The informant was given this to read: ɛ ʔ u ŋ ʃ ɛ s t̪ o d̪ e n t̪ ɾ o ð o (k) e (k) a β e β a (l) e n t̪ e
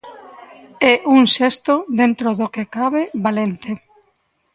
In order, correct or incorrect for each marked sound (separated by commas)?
correct, correct, correct